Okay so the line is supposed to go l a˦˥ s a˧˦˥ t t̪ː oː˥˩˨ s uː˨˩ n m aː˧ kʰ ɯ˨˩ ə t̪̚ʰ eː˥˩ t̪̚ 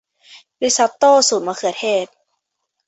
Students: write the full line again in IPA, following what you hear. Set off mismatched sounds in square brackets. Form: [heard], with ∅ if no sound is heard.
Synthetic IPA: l [i˦˥] s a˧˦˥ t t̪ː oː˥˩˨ s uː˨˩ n m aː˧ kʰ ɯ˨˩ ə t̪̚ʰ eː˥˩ t̪̚

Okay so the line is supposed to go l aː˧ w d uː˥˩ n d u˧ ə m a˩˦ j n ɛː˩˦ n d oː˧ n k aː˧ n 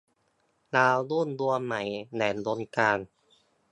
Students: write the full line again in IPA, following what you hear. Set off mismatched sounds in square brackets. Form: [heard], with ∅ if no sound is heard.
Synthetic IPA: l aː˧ w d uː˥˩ n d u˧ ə m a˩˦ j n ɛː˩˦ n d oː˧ n k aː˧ n

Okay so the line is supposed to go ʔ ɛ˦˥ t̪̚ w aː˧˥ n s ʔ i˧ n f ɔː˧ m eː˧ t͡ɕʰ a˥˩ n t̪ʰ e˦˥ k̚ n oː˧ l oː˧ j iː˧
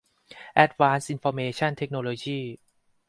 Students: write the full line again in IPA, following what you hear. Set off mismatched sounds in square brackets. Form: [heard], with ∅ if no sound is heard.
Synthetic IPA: ʔ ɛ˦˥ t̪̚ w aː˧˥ n s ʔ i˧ n f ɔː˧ m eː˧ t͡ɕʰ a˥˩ n t̪ʰ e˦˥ k̚ n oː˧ l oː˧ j [iː˥˩]

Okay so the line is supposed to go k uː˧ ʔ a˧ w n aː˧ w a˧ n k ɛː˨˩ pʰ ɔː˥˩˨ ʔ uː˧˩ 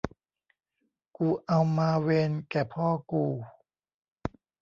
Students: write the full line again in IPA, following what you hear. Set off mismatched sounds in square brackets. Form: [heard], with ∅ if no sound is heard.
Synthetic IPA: k uː˧ ʔ a˧ w [m] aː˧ w [e˧] n k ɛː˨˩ pʰ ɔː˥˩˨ [k] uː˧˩

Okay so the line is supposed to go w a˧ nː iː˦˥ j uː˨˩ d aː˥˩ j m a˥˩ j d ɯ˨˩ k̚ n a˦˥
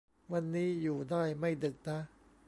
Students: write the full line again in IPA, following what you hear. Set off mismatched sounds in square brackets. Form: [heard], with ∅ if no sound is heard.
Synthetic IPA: w a˧ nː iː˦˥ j uː˨˩ d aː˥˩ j m a˥˩ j d ɯ˨˩ k̚ n a˦˥

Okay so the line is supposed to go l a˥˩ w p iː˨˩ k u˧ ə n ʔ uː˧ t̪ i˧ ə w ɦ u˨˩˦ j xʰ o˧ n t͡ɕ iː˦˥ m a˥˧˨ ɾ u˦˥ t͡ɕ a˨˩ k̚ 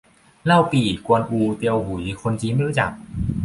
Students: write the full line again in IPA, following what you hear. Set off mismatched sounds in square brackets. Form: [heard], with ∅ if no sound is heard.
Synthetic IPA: l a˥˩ w p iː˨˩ k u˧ ə n ʔ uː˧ t̪ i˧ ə w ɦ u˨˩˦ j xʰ o˧ n t͡ɕ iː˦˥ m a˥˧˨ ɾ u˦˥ t͡ɕ a˨˩ k̚

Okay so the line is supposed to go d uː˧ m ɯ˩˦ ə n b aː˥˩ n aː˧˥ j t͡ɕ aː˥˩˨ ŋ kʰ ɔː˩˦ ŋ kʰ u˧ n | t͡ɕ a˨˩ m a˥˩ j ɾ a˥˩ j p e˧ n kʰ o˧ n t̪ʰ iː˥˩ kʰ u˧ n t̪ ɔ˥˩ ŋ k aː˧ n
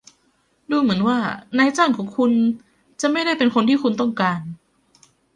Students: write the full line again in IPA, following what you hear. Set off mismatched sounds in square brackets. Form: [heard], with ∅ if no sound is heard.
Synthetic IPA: d uː˧ m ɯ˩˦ ə n [w] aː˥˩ n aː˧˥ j t͡ɕ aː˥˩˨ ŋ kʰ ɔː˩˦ ŋ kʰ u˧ n | t͡ɕ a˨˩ m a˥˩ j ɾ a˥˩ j p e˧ n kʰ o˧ n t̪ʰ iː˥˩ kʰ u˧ n t̪ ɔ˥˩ ŋ k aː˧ n

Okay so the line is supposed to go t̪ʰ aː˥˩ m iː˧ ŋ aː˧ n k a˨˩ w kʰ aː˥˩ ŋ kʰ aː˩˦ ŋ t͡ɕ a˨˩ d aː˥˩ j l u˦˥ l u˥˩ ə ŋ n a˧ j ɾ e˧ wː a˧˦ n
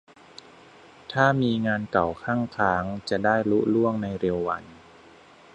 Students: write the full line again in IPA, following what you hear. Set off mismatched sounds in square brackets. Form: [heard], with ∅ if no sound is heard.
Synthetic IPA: t̪ʰ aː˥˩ m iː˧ ŋ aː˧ n k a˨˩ w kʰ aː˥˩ ŋ kʰ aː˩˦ ŋ t͡ɕ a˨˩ d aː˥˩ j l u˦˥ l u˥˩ ə ŋ n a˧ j ɾ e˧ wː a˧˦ n

